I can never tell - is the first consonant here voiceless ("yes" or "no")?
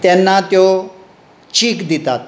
yes